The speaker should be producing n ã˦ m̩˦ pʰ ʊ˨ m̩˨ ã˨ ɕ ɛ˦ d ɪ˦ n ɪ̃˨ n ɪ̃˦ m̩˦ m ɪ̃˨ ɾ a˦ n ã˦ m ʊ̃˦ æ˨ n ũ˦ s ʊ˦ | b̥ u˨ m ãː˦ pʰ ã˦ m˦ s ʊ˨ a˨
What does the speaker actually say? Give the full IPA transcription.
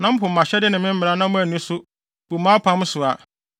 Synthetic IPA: n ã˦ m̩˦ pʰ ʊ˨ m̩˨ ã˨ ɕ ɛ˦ d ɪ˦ n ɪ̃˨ m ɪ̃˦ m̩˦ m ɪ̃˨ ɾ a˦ n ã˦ m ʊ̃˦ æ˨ n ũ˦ s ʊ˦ | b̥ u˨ m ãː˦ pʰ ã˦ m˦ s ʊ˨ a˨